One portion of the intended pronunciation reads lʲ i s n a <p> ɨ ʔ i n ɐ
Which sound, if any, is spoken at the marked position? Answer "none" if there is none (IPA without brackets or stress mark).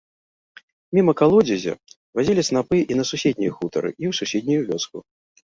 p